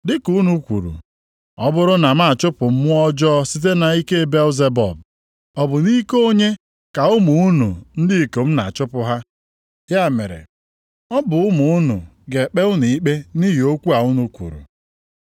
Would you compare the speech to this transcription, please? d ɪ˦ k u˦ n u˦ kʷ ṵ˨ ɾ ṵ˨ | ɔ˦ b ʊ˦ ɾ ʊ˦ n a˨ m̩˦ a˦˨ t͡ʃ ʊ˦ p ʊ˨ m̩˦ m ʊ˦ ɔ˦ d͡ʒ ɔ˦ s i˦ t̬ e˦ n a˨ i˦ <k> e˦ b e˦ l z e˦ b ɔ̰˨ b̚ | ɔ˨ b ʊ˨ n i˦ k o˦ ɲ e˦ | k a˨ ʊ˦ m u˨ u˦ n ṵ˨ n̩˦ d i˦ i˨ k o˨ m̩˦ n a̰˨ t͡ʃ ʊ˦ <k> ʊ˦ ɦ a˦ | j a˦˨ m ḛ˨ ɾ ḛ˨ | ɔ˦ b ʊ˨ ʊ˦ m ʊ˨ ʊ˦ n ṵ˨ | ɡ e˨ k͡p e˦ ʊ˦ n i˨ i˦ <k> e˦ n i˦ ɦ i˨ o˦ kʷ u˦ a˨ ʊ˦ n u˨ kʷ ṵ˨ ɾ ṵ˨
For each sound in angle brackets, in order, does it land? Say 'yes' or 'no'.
yes, no, no

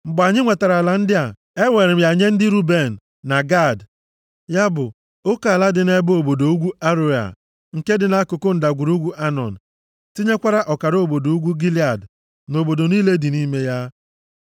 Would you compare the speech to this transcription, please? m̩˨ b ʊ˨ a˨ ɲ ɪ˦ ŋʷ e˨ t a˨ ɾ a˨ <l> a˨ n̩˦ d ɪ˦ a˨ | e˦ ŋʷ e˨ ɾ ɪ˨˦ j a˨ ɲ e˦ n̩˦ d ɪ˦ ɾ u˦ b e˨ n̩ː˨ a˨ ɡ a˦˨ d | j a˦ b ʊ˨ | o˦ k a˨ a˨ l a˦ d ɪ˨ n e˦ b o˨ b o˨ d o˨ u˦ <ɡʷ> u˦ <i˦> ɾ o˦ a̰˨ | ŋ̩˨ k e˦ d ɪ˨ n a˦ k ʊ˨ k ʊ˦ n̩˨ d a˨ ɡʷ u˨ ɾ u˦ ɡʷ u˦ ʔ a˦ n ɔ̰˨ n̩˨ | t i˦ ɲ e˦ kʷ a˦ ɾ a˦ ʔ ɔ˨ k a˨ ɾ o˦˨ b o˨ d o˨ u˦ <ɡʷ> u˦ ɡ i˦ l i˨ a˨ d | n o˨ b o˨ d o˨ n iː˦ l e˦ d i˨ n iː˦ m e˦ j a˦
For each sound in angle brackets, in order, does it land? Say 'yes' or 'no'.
yes, yes, no, yes

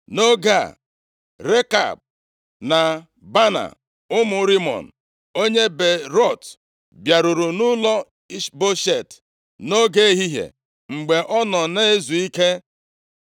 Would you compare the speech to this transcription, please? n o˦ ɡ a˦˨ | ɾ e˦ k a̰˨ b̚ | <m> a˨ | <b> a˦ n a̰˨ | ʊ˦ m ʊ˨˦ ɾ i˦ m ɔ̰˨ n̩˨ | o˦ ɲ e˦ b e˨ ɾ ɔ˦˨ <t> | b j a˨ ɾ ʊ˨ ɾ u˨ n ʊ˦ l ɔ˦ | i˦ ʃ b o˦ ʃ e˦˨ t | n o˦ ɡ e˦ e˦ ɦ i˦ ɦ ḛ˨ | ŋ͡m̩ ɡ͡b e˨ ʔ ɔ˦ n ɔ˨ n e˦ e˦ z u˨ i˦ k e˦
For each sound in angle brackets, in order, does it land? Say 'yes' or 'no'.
no, yes, yes

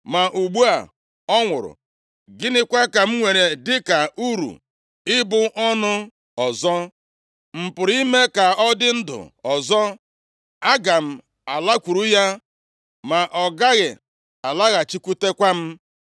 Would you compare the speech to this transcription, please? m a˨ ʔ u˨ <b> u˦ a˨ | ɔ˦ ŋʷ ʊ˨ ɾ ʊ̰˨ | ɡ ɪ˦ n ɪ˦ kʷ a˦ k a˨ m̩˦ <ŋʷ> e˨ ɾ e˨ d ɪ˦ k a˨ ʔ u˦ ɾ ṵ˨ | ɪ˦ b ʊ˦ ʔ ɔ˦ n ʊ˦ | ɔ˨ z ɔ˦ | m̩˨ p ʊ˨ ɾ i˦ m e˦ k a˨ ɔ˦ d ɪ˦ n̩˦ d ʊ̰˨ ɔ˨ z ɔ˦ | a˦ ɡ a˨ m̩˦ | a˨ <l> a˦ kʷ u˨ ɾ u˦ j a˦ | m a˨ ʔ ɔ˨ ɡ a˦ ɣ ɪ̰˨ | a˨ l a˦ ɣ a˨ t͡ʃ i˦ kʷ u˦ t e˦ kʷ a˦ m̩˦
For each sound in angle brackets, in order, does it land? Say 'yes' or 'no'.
no, yes, yes

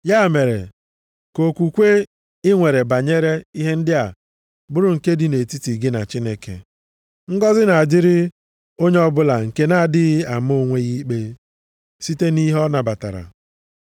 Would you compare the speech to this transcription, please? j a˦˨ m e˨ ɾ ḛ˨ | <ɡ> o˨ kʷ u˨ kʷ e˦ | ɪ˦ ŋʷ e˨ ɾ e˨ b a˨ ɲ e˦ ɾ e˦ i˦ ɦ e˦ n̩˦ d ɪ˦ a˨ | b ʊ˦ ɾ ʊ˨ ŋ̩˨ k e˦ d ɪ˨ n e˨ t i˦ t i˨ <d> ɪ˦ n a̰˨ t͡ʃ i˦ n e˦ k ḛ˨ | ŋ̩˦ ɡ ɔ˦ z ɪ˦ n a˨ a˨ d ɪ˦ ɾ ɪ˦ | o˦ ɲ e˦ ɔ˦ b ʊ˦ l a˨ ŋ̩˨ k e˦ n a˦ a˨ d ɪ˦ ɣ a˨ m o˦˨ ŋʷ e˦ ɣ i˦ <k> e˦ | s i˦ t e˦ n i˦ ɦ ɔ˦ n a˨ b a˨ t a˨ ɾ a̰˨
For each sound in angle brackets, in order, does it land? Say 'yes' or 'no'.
no, no, no

